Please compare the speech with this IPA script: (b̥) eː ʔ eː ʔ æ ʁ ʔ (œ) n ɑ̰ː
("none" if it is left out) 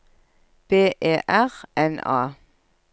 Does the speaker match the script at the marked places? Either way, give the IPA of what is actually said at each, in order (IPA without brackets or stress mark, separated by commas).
b̥, ɛ